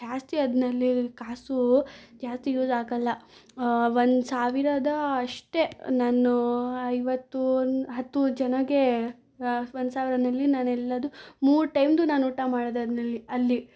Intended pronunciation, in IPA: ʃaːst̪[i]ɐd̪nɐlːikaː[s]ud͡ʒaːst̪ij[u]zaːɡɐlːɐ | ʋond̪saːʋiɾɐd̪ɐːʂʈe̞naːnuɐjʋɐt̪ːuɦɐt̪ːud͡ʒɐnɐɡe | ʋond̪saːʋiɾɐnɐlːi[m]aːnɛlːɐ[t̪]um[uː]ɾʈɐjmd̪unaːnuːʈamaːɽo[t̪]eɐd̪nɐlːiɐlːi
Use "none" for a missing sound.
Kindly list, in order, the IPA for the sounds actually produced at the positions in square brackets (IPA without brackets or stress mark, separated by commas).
i, s, uː, n, d̪, uː, d̪